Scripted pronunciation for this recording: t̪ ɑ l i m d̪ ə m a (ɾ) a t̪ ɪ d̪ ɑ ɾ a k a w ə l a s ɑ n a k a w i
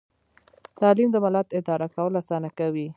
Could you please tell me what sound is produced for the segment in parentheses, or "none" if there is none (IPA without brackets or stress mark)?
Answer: l